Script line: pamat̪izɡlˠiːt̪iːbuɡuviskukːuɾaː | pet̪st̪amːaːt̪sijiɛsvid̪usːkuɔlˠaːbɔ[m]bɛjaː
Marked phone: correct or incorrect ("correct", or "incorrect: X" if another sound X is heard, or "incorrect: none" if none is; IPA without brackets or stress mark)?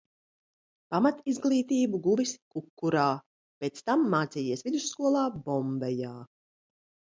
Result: correct